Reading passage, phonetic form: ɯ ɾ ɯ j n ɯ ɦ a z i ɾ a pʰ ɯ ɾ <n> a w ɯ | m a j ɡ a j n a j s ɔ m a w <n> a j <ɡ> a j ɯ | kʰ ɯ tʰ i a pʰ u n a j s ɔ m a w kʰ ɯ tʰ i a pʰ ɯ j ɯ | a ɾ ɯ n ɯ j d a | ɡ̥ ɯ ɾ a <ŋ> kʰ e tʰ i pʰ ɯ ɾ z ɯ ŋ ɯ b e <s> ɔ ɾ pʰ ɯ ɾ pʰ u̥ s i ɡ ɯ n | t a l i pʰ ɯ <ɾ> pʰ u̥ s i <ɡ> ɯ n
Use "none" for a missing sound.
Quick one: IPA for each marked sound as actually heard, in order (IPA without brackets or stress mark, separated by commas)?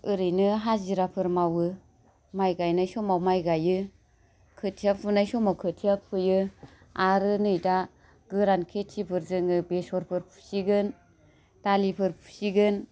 m, m, ɡ, n, s, ɾ, ɡ